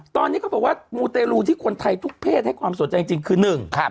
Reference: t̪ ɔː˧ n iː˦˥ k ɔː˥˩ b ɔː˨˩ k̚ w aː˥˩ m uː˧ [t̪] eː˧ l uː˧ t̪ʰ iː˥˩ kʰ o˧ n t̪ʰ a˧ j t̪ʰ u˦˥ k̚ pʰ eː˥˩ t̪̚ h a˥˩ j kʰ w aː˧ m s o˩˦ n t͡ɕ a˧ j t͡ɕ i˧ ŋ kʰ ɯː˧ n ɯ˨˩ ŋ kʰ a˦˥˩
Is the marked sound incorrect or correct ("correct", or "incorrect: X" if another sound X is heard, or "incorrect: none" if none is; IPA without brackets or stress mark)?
correct